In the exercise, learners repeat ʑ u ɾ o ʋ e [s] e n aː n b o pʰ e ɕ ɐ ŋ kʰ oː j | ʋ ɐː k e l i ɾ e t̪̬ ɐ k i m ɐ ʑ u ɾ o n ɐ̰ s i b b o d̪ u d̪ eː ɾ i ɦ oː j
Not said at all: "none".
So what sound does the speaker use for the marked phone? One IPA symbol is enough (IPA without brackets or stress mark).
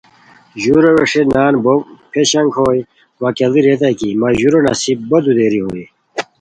ʂ